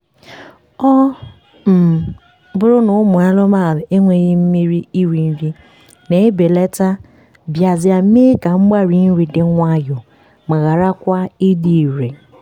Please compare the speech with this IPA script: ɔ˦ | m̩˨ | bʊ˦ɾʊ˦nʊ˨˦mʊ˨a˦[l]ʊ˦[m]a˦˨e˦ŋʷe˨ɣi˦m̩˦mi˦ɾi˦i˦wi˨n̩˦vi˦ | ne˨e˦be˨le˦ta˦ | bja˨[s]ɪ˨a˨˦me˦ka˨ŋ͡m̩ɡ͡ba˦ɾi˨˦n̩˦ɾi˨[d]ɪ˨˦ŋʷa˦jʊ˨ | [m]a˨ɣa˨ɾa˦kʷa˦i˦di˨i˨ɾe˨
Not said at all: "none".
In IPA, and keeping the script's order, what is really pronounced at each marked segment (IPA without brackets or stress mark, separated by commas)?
l, m, z, d, m